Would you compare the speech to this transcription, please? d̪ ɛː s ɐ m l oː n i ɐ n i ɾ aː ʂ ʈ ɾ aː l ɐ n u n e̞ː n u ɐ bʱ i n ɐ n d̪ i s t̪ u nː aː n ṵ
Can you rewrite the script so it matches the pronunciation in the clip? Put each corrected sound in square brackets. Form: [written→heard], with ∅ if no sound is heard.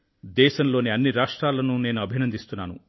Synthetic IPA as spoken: d̪ ɛː [s→ʃ] ɐ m l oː n i ɐ [n→nː] i ɾ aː ʂ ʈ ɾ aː l ɐ n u n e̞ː n u ɐ bʱ i n ɐ n d̪ i s t̪ u nː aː n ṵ